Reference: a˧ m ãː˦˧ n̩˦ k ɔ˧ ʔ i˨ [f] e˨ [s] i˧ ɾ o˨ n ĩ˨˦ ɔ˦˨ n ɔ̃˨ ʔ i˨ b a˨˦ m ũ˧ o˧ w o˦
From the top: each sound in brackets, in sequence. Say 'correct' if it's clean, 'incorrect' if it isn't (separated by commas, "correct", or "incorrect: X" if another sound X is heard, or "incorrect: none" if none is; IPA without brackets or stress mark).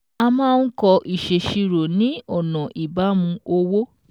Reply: incorrect: ʃ, incorrect: ʃ